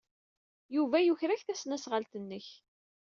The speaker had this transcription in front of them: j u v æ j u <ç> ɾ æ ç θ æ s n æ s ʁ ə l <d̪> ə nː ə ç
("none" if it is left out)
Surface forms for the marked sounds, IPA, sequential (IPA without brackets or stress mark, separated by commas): ç, t̪